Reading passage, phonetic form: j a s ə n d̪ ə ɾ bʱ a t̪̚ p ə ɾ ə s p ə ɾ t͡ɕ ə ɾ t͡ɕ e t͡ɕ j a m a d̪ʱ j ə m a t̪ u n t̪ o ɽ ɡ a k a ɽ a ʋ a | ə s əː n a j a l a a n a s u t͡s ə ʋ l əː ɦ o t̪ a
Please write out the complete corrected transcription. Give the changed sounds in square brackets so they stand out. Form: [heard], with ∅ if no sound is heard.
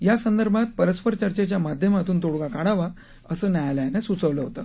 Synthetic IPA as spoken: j a s ə n d̪ ə ɾ bʱ a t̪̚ p ə ɾ ə s p ə ɾ t͡ɕ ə ɾ t͡ɕ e t͡ɕ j a m a d̪ʱ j ə m a t̪ [uː] n t̪ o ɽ ɡ a k a ɽ a ʋ a | ə s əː n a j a l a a n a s u t͡s ə ʋ l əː ɦ o t̪ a